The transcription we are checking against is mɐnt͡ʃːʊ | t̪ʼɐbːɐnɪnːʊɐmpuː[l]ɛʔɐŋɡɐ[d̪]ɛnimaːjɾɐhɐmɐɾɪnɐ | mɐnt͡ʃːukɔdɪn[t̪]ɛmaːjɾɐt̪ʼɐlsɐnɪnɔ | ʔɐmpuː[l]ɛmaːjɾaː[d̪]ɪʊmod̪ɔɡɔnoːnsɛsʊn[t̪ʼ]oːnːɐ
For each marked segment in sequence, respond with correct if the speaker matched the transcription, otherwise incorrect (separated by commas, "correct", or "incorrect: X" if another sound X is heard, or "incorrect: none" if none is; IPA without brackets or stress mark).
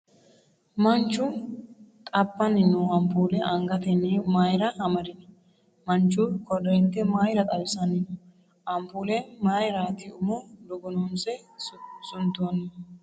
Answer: correct, incorrect: t̪, correct, correct, incorrect: t̪, incorrect: t̪